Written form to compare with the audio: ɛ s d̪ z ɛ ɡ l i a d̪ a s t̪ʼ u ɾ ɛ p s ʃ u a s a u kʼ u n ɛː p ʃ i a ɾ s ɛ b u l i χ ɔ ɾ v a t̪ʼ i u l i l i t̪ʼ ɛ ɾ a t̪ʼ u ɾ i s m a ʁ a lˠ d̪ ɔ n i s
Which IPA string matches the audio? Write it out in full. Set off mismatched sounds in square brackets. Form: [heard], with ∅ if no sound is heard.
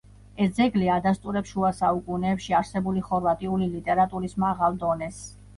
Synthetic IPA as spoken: ɛ s d̪ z ɛ ɡ l i a d̪ a s t̪ʼ u ɾ ɛ p s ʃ u a s a u kʼ u n ɛː p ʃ i a ɾ s ɛ b u l i χ ɔ ɾ v a t̪ʼ i u l i l i t̪ʼ ɛ ɾ a t̪ʼ u ɾ i s m a ʁ a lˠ d̪ ɔ n [ɛ] s